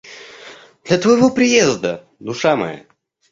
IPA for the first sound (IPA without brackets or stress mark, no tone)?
d̪